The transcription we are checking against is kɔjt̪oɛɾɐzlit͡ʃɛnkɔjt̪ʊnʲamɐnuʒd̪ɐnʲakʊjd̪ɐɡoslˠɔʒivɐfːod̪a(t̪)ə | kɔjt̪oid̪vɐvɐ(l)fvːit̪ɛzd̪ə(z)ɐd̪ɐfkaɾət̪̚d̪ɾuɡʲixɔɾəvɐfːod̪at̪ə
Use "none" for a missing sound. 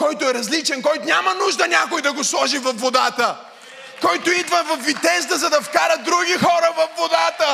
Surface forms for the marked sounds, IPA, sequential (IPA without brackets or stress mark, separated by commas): t̪, none, z